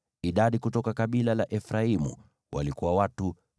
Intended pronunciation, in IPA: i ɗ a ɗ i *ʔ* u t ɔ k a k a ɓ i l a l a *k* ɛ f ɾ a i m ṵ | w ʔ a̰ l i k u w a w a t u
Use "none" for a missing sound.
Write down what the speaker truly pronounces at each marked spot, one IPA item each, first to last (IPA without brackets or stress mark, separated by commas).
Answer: k, ʔ